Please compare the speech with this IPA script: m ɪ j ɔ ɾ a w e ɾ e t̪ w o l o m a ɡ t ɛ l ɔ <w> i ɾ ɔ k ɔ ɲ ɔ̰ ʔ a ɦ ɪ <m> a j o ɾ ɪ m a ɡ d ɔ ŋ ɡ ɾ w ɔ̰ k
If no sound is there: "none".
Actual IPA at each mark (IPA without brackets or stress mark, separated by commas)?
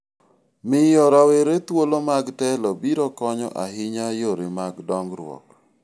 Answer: b, ɲ